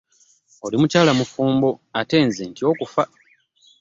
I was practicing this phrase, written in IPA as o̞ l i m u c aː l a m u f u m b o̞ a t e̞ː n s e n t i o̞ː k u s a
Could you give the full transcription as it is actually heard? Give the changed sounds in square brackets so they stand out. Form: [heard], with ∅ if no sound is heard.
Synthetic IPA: o̞ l i m u c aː l a m u f [uː] m b o̞ a t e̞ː n [z] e n t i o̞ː k u [f] a